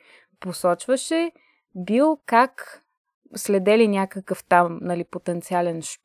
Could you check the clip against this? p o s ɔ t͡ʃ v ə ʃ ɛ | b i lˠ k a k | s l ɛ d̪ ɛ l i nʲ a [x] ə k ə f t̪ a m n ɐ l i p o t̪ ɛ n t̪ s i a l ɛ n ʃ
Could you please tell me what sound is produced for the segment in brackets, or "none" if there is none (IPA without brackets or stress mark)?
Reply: k